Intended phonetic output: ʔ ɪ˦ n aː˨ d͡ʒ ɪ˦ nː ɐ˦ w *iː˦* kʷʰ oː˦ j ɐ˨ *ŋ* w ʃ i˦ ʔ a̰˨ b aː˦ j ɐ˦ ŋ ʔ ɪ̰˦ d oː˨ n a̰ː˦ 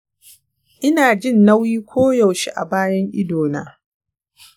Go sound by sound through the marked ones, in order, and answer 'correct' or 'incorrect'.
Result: correct, incorrect: none

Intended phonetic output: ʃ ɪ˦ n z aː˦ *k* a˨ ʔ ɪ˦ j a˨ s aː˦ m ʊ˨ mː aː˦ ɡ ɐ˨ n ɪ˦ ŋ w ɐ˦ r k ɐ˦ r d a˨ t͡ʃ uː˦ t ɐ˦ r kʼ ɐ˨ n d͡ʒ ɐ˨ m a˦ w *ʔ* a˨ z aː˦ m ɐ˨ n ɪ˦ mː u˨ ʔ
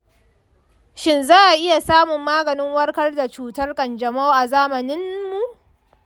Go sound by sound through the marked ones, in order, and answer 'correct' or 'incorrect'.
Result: incorrect: ʔ, correct

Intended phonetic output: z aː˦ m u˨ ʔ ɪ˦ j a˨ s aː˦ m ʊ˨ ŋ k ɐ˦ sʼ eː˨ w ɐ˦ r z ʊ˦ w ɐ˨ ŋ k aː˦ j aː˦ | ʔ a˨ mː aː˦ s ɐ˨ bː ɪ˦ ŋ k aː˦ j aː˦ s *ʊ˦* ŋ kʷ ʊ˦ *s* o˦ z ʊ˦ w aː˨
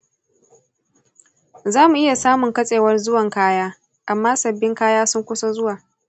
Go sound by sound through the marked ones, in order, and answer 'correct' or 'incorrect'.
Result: correct, correct

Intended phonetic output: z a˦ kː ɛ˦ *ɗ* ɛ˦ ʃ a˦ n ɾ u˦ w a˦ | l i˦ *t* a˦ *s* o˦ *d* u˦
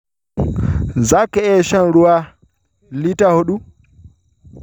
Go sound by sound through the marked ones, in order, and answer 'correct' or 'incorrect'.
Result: incorrect: none, correct, incorrect: h, incorrect: ɗ

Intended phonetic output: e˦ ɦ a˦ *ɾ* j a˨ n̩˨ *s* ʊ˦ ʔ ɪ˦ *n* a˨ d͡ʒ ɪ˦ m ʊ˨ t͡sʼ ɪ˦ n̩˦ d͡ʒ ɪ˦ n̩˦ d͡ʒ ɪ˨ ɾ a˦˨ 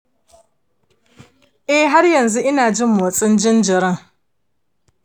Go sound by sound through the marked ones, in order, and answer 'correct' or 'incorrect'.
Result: correct, incorrect: z, correct

